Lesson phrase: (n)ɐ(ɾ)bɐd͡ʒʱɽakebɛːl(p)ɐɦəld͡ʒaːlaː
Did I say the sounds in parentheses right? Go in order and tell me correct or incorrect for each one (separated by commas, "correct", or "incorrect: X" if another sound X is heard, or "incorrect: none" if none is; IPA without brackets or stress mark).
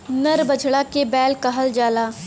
correct, correct, incorrect: k